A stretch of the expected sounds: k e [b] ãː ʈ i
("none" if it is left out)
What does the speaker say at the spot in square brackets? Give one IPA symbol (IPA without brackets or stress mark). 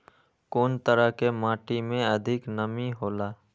m